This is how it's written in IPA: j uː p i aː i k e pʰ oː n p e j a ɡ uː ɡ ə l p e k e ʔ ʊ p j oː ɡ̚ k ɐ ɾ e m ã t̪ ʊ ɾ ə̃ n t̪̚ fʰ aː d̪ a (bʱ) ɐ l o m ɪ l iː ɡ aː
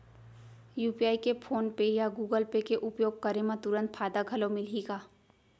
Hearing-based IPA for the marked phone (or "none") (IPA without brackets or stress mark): ɡʱ